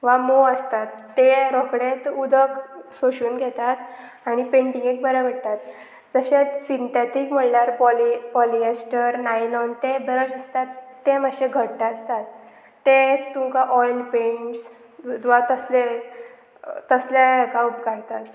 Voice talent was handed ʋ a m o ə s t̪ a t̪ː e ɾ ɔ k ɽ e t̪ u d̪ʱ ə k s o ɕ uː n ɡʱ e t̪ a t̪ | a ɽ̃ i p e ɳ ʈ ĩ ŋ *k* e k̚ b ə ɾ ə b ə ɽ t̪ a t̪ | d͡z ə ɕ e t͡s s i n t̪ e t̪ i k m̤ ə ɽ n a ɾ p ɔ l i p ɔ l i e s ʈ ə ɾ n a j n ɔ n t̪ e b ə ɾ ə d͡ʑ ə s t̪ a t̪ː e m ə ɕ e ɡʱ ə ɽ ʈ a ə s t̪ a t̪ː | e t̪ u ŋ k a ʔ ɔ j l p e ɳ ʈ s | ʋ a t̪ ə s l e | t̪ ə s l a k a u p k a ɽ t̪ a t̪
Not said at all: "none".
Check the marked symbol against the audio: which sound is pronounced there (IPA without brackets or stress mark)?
ɡ